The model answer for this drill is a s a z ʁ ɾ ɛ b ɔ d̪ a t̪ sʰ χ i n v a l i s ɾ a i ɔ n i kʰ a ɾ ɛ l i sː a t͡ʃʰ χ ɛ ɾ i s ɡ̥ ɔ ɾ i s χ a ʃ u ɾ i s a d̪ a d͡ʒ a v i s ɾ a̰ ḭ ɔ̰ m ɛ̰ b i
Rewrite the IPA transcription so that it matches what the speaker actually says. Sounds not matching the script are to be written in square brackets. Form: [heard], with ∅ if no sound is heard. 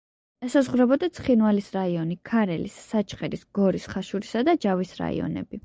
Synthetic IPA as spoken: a s a z ʁ ɾ ɛ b ɔ d̪ a t̪ sʰ χ i n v a l i s ɾ a i ɔ n i kʰ a ɾ ɛ l i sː a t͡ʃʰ χ ɛ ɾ i s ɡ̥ ɔ ɾ i s χ a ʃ u ɾ i s a d̪ a d͡ʒ a v i s ɾ a̰ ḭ ɔ̰ [n] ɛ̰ b i